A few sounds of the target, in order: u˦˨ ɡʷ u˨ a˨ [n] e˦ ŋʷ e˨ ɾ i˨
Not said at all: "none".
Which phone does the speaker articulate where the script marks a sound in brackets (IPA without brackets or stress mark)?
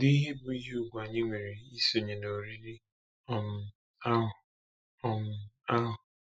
ɲ